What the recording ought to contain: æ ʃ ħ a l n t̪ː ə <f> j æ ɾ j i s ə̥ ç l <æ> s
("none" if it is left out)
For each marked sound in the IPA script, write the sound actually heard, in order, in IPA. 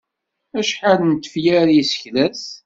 f, æ

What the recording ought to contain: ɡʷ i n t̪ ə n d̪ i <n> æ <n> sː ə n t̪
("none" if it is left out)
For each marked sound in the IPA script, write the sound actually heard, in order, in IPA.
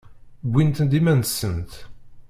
m, n

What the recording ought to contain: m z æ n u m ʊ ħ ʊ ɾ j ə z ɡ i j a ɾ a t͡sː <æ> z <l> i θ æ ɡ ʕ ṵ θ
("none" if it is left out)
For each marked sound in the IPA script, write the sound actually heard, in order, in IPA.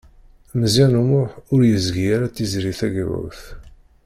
i, ɾ

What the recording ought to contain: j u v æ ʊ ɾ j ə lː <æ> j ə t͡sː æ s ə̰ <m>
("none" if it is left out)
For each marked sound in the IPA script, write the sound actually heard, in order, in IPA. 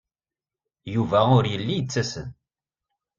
i, n

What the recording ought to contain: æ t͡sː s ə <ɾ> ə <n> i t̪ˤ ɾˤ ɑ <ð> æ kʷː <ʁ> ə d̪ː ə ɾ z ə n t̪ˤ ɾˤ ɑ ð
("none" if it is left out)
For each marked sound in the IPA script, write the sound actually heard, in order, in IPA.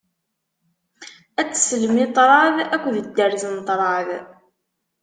l, m, ð, ð

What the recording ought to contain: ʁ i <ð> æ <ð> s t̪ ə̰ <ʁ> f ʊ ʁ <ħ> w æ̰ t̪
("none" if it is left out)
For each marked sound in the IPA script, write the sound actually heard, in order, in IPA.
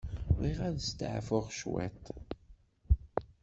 ʁ, ð, ʕ, ʃ

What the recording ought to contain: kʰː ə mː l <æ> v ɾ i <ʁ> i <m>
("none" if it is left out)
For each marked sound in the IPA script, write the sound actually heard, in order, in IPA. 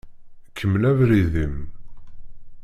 æ, ð, m

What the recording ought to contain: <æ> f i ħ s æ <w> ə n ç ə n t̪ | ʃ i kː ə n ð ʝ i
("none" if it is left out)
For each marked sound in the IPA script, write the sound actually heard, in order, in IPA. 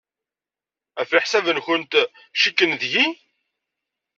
æ, v

